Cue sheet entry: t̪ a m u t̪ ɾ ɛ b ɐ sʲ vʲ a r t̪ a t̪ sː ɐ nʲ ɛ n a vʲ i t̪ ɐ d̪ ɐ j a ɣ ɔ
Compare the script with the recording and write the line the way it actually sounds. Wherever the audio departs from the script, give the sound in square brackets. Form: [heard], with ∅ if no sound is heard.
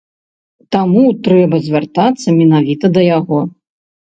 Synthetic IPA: t̪ a m u t̪ ɾ ɛ b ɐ [zʲ] vʲ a r t̪ a t̪ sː ɐ [mʲ] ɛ n a vʲ i t̪ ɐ d̪ ɐ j a ɣ ɔ